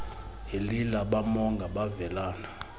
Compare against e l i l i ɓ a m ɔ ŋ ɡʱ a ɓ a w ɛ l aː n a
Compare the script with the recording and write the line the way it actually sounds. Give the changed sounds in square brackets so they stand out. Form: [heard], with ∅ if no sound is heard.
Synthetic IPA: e l i l [a] ɓ a m ɔ ŋ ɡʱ a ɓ a [v] ɛ l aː n a